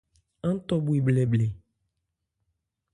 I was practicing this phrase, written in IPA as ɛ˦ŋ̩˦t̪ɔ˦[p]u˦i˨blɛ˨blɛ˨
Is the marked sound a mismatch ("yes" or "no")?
yes